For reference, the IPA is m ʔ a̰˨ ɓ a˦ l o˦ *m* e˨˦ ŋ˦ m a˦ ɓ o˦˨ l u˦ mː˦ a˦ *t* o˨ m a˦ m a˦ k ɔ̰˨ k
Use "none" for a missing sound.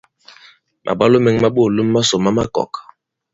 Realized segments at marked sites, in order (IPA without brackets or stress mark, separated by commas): m, s